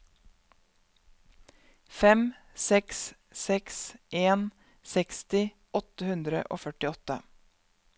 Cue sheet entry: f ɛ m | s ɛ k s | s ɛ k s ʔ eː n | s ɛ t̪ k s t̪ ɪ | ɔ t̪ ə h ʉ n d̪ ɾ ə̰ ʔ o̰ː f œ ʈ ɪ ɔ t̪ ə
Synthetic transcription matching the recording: f ɛ m | s ɛ k s | s ɛ k s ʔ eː n | s ɛ k s t̪ ɪ | ɔ t̪ ə h ʉ n d̪ ɾ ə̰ ʔ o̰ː f œ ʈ ɪ ɔ t̪ ə